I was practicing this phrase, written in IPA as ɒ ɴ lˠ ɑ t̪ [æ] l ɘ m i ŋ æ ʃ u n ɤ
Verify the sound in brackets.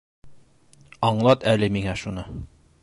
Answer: correct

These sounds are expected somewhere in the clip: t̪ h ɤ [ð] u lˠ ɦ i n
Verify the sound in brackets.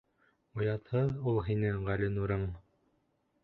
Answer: correct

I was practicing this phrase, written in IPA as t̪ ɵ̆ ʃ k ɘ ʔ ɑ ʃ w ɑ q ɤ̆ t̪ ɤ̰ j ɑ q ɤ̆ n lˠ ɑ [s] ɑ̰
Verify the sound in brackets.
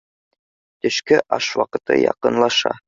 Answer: incorrect: ʃ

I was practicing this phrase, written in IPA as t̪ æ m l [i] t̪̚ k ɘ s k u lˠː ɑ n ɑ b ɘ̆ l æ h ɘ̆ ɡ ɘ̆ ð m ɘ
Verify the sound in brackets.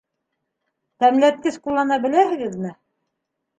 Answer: incorrect: æ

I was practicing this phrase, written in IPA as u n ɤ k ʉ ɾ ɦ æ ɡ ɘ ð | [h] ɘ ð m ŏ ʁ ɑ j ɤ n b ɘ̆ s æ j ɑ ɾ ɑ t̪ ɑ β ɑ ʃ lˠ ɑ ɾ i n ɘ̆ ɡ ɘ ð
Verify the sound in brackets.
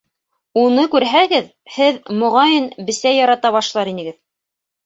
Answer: correct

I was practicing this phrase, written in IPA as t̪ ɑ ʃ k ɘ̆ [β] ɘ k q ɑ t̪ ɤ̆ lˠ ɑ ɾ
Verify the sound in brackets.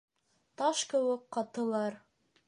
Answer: incorrect: w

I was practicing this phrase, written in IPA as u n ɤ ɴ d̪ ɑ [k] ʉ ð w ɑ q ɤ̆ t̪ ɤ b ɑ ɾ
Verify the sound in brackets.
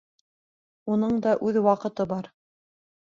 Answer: incorrect: ʔ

